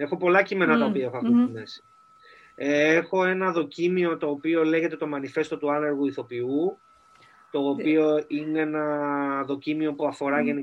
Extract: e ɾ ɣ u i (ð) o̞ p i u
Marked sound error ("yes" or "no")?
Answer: yes